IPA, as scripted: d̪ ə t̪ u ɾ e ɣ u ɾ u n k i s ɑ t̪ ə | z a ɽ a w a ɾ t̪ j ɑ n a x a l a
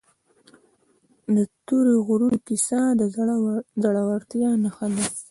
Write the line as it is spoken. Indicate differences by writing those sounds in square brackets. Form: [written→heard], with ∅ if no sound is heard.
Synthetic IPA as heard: d̪ ə t̪ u ɾ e ɣ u ɾ u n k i s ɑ [t̪→d̪] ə | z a ɽ a w a ɾ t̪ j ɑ n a x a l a